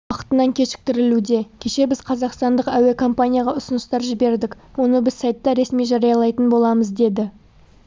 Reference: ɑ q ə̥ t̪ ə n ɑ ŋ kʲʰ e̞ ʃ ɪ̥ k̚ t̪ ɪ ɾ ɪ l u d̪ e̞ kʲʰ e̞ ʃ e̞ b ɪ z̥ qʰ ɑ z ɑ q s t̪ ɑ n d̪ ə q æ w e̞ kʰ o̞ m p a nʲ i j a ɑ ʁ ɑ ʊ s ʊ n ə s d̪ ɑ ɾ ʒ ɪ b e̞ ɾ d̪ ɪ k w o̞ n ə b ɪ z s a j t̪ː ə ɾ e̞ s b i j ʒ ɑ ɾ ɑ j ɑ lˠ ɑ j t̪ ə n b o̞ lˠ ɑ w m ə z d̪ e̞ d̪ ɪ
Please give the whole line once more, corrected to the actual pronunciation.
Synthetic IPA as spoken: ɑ q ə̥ t̪ ə n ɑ ŋ kʲʰ e̞ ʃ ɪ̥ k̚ t̪ ɪ ɾ ɪ l u d̪ e̞ kʲʰ e̞ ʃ e̞ b ɪ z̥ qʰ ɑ z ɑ q s t̪ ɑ n d̪ ə q æ w e̞ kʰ o̞ m p a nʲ i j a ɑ ʁ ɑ ʊ s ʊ n ə s t̪ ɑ ɾ ʒ ɪ b e̞ ɾ d̪ ɪ k w o̞ n ə b ɪ z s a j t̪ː ɑ ɾ e̞ s m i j ʒ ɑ ɾ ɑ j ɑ lˠ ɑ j t̪ ə n b o̞ lˠ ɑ m ə z d̪ e̞ d̪ ɪ